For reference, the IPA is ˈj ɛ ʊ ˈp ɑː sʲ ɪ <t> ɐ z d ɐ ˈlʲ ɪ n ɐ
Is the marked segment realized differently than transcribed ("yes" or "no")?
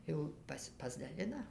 yes